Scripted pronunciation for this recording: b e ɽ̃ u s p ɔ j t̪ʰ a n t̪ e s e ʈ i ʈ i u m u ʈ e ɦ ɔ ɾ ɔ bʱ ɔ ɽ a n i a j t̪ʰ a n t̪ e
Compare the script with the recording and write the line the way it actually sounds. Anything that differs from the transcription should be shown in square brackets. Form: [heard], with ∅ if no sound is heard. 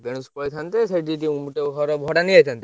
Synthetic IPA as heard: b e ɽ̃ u s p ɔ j t̪ʰ a n t̪ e s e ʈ i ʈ i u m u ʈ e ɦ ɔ ɾ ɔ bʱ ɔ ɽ a n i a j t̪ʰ a n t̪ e

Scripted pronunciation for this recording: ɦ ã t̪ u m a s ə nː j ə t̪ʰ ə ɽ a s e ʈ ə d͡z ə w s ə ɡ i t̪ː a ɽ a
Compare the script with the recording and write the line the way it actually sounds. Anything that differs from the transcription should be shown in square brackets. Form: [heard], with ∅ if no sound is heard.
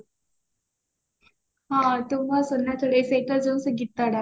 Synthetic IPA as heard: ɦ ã t̪ u m a s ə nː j [a] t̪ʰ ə ɽ [e] s e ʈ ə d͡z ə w s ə ɡ i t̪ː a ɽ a

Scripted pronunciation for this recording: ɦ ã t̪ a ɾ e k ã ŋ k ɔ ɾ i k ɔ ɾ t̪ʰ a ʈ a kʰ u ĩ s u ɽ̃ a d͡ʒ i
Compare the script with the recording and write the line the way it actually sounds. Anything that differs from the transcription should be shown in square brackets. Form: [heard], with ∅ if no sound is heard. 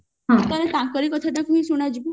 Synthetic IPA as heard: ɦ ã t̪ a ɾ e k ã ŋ k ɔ ɾ i k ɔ [∅] t̪ʰ a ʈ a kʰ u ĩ s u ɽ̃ a d͡ʒ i

